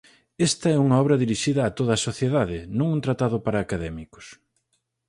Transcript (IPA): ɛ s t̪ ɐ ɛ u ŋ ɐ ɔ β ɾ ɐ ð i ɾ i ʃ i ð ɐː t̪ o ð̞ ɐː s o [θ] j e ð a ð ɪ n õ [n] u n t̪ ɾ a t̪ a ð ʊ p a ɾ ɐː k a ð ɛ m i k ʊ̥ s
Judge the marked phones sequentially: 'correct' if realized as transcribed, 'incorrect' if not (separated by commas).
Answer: correct, incorrect